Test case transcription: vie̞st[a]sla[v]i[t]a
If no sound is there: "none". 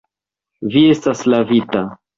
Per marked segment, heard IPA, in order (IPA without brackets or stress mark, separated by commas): a, v, t